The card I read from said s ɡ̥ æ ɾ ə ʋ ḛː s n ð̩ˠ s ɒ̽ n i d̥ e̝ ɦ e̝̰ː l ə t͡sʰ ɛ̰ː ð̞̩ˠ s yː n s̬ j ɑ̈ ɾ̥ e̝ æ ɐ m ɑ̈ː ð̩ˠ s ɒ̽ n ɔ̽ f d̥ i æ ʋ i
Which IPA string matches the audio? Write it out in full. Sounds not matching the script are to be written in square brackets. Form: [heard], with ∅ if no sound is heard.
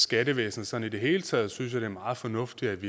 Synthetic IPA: s ɡ̥ æ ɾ ə ʋ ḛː s n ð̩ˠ s ɒ̽ n i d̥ e̝ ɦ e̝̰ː l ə t͡sʰ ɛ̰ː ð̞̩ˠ s [y] n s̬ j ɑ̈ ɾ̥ e̝ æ ɐ m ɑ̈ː ð̩ˠ [f] ɒ̽ n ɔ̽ f d̥ i æ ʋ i